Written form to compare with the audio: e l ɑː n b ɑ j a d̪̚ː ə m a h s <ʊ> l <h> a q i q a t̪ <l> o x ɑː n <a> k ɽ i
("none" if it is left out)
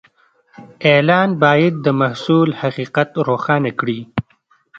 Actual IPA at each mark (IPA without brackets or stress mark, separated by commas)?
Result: u, h, ɾ, a